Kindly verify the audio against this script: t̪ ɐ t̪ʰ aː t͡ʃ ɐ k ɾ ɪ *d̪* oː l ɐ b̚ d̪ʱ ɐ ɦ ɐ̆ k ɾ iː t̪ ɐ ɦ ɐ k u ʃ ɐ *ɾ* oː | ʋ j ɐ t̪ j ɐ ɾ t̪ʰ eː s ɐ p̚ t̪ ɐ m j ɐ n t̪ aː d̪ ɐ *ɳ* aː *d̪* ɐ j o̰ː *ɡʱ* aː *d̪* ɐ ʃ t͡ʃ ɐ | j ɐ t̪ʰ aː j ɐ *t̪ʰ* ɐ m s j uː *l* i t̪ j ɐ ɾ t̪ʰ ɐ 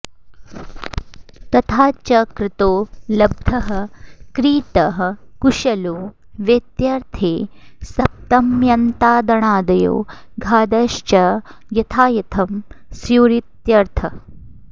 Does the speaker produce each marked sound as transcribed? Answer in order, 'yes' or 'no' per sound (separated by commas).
no, no, yes, yes, yes, yes, yes, no